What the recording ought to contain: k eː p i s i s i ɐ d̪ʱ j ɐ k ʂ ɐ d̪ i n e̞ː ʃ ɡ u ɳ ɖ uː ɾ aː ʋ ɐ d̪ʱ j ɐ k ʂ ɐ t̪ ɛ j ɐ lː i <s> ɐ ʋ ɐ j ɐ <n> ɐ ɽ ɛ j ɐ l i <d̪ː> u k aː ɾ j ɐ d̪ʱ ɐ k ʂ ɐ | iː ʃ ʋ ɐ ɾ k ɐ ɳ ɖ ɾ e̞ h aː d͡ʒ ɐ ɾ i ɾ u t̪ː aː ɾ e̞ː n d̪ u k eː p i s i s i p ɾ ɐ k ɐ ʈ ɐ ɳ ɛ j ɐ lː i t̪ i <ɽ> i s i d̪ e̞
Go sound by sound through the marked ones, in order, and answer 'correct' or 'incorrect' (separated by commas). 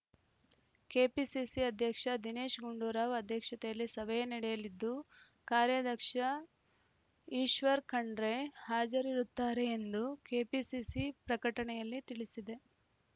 correct, correct, correct, incorrect